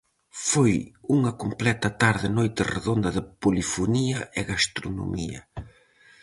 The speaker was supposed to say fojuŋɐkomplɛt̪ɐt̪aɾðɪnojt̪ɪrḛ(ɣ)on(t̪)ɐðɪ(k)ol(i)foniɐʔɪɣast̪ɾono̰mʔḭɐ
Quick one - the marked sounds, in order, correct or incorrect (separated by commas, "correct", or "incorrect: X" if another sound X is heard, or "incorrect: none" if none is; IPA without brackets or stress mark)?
incorrect: ð, incorrect: d̪, incorrect: p, correct